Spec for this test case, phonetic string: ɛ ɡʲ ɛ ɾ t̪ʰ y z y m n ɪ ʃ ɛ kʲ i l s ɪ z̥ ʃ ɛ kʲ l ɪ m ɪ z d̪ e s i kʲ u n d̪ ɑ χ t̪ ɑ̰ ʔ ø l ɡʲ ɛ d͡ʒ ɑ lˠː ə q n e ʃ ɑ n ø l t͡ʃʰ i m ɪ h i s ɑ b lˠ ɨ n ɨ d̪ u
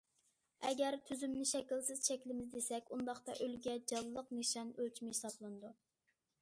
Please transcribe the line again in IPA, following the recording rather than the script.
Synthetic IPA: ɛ ɡʲ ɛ ɾ t̪ʰ y z y m n ɪ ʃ ɛ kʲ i l s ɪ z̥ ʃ ɛ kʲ l ɪ m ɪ z d̪ e s ɛ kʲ u n d̪ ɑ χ t̪ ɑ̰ ʔ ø l ɡʲ ɛ d͡ʒ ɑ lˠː ə q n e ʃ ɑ n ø l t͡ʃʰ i m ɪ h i s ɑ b lˠ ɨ n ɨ d̪ u